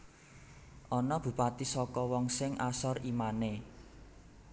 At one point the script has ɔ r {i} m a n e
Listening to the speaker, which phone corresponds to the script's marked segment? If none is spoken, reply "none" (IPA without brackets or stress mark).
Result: i